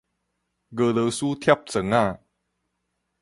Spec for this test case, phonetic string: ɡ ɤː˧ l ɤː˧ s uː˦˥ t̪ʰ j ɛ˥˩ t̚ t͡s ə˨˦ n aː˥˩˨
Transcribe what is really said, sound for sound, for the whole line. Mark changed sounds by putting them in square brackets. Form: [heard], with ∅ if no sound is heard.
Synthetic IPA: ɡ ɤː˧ l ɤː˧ s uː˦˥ t̪ʰ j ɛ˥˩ [p̚] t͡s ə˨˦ [ŋ] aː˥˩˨

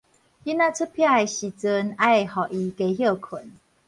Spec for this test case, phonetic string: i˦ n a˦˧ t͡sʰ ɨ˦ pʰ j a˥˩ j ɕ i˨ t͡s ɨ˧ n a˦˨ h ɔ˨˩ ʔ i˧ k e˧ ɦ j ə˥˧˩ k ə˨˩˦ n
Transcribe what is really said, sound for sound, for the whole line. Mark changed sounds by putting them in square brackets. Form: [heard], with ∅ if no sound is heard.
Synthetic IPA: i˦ n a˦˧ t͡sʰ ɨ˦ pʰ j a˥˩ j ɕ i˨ t͡s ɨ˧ n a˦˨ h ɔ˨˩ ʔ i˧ k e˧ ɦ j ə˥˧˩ [kʰ] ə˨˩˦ n

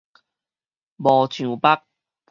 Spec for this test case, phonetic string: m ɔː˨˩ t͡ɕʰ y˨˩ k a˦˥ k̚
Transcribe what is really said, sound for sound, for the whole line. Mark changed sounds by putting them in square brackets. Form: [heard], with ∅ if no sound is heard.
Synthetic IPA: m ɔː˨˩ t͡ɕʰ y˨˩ [p] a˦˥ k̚

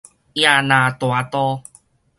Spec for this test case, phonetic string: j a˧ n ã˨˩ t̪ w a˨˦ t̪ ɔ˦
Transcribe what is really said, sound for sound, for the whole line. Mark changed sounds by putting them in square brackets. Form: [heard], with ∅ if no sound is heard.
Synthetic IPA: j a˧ n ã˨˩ t̪ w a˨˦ t̪ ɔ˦

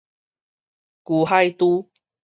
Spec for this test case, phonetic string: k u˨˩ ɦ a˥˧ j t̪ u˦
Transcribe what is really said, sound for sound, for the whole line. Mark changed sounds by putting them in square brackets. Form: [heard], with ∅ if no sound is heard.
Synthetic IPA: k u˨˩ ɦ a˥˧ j t̪ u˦

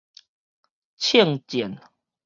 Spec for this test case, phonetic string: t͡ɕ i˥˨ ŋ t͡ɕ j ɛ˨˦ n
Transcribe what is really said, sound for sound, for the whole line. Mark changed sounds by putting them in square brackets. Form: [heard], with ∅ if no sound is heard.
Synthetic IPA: [t͡ɕʰ] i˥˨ ŋ t͡ɕ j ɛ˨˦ n

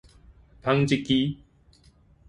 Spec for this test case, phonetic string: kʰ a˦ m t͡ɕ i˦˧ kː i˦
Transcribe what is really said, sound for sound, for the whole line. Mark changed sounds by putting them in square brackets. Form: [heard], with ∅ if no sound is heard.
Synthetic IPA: [pʰ] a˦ [ŋ] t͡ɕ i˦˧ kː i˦

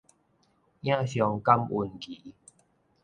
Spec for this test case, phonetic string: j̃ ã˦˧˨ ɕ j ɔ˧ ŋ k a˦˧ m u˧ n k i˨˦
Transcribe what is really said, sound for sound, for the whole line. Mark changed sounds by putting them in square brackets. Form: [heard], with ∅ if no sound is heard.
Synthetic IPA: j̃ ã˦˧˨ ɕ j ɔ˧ ŋ k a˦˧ m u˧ n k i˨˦

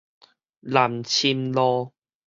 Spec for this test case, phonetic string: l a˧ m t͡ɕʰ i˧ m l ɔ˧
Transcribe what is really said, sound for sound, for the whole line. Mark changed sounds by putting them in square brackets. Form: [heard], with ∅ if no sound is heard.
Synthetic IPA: l [a˨˩] m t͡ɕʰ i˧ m l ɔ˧

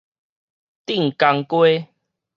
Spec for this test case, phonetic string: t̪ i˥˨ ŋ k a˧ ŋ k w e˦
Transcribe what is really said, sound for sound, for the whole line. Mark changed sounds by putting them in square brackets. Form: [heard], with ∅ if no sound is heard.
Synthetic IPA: t̪ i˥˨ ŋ k a˧ ŋ k w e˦

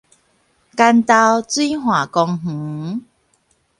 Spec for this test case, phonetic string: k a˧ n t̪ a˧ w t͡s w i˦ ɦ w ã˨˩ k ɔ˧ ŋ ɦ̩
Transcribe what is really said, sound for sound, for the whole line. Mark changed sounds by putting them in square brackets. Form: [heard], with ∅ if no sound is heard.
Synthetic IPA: k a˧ n t̪ a˧ w t͡s w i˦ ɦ w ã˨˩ k ɔ˧ ŋ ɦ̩

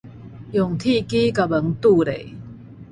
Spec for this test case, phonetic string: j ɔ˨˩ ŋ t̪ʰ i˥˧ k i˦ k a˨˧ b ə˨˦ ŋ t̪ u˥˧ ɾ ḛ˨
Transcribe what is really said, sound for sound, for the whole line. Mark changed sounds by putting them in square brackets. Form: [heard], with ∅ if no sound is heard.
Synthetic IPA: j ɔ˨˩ ŋ t̪ʰ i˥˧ k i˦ k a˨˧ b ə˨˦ ŋ t̪ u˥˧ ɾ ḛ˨

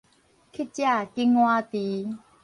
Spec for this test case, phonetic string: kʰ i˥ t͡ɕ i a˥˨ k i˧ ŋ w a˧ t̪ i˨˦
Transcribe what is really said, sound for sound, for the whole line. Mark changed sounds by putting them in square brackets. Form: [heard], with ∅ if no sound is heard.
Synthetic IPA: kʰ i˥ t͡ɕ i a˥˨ k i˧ ŋ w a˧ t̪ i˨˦

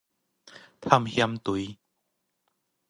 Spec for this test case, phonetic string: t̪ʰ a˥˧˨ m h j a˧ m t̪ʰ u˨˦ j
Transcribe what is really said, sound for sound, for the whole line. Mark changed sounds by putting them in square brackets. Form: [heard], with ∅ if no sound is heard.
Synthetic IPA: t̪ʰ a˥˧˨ m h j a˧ m [t̪] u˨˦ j

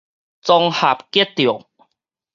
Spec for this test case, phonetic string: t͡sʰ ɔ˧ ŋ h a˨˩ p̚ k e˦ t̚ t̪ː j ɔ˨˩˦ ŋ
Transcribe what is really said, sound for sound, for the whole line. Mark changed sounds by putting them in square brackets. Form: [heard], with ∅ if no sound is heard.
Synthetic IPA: [t͡s] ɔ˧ ŋ h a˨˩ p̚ k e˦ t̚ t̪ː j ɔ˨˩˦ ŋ

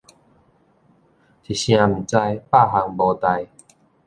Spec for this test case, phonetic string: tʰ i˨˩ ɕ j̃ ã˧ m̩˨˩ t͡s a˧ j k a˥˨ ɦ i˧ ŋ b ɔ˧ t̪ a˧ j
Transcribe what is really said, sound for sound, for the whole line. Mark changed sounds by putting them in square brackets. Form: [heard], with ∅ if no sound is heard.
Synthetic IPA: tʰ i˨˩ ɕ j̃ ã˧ m̩˨˩ t͡s a˧ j [p] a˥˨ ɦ [a˧] ŋ b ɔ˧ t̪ a˧ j

